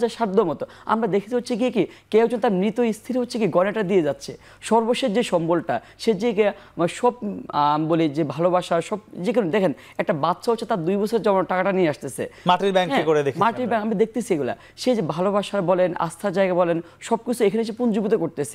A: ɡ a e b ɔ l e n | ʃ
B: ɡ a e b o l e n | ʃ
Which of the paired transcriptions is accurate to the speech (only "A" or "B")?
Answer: A